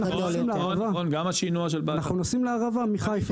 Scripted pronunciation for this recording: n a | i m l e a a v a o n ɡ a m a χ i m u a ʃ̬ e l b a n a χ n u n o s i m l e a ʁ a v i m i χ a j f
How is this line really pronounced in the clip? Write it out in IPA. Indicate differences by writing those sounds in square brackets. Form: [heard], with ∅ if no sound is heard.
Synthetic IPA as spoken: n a | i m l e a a v a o n ɡ a m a [ʃ] i [n] u a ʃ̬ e l b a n a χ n u n o s i m l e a ʁ a v [a] m i χ a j f